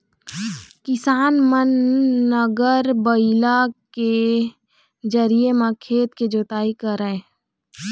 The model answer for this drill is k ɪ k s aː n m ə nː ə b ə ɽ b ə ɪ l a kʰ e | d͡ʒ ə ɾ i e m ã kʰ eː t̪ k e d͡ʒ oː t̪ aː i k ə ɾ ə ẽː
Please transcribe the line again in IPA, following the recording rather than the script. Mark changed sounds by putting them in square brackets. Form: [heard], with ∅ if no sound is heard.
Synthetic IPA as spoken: k ɪ [∅] s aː n m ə nː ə [ɡ] ə [ɾ] b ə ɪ l a [k] e | d͡ʒ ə ɾ i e m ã kʰ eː t̪ k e d͡ʒ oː t̪ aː i k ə ɾ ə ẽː